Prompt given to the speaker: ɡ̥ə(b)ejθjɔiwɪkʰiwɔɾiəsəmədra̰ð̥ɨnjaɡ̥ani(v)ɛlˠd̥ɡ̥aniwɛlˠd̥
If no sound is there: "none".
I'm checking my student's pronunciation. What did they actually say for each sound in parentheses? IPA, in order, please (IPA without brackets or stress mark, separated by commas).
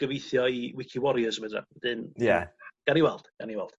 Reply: v, w